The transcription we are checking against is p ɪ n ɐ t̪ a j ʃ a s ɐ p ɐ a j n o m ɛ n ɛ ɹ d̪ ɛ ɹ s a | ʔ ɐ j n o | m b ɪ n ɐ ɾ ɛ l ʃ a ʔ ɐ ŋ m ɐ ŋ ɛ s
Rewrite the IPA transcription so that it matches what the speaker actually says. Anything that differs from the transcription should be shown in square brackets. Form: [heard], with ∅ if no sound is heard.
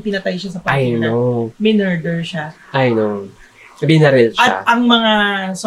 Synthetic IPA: p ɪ n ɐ t̪ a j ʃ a s ɐ p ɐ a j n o m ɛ n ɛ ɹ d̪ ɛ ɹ [ʃ] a | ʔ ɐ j n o | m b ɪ n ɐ ɾ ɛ l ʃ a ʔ ɐ ŋ m ɐ ŋ [a] s